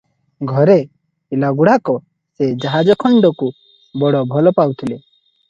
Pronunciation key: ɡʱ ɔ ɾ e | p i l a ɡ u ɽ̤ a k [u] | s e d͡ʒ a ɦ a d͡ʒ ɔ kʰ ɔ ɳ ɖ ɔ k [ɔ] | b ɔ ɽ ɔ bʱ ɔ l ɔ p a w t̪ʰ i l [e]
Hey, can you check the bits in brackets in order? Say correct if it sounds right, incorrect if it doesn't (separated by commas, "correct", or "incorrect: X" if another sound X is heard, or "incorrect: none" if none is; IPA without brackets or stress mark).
incorrect: ɔ, incorrect: u, correct